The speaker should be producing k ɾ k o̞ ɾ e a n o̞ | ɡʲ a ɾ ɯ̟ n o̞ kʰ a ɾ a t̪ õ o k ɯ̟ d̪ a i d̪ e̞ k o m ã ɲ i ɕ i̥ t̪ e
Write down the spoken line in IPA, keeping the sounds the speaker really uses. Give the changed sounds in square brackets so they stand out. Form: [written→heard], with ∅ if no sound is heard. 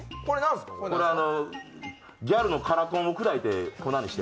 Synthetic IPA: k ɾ k o̞ ɾ e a n o̞ | ɡʲ a ɾ ɯ̟ n o̞ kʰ a ɾ a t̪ õ o k ɯ̟ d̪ a i [d̪→t̪] e̞ k o [m→n] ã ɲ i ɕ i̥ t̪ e